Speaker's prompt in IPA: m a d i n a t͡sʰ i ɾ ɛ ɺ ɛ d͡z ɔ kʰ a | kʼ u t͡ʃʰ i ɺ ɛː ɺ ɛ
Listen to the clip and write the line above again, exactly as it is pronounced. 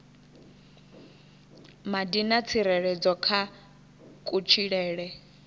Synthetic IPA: m a d i n a t͡sʰ i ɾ ɛ ɺ ɛ d͡z ɔ kʰ a | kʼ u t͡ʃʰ i ɺ ɛː ɺ ɛ